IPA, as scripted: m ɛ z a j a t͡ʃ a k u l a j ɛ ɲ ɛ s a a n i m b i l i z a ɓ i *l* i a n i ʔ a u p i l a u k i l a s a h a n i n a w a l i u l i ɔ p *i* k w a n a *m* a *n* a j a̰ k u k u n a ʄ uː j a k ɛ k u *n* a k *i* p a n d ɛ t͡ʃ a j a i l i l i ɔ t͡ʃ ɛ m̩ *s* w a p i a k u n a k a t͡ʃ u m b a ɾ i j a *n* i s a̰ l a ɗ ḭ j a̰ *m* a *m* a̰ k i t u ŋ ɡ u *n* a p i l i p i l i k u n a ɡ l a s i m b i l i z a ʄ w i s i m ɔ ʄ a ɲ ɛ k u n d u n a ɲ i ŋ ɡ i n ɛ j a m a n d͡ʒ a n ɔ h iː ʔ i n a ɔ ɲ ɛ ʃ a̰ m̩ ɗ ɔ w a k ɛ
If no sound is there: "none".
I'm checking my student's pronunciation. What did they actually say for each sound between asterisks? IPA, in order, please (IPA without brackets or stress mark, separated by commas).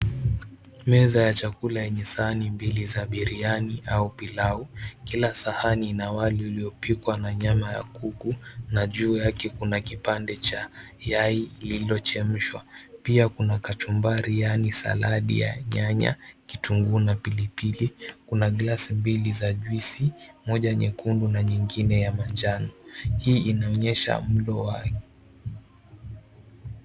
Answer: ɾ, i, ɲ, m, n, i, ʃ, n, ɲ, ɲ, n